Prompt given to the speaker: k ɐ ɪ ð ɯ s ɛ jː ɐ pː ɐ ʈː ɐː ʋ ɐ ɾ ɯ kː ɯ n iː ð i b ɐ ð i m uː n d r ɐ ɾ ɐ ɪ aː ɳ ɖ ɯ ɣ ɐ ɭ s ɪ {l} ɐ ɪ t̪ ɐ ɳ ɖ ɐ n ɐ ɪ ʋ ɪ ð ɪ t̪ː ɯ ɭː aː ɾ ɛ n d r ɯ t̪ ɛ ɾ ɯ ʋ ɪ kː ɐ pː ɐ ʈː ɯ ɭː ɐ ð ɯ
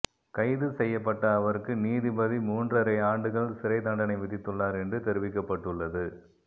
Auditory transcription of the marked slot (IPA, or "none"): ɾ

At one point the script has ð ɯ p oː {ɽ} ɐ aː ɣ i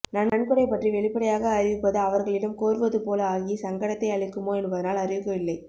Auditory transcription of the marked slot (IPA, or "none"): l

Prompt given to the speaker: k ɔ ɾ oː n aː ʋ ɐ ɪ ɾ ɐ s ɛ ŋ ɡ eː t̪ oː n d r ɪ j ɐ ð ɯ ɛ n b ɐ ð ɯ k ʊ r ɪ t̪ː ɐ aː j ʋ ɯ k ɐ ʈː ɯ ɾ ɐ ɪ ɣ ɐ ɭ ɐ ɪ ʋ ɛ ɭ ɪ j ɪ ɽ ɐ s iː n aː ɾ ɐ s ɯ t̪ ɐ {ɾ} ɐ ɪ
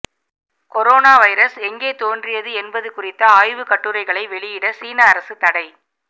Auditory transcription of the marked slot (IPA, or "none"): ɽ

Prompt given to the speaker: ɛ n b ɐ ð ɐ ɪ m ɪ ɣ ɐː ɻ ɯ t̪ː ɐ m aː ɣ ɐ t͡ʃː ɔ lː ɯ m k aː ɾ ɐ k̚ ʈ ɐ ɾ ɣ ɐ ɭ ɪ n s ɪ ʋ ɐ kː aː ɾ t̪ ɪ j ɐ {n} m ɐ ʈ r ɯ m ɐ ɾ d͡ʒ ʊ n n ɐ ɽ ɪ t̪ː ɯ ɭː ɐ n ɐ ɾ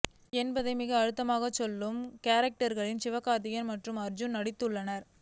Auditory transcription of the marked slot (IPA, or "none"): n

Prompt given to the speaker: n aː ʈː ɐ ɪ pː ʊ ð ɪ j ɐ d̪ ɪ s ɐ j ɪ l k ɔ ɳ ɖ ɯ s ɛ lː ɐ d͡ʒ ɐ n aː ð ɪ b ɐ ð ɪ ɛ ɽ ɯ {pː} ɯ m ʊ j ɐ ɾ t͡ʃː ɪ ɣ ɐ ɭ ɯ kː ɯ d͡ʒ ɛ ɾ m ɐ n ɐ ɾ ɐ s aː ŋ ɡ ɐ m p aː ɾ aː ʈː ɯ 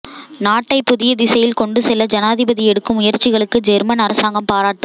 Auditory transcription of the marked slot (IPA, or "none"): kː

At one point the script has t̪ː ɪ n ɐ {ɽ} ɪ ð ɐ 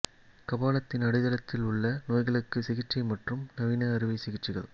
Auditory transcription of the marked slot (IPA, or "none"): ɽ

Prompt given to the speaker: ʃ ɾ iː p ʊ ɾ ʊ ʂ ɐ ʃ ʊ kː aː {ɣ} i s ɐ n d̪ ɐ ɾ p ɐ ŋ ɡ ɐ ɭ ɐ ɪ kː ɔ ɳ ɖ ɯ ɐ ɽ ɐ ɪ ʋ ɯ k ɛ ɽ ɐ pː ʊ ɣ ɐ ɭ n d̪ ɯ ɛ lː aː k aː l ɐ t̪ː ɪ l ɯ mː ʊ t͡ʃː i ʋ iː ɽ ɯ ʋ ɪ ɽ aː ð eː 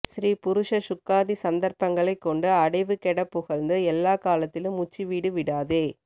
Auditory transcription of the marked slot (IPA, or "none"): ð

